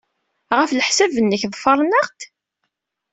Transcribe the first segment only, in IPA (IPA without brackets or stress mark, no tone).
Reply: ʁ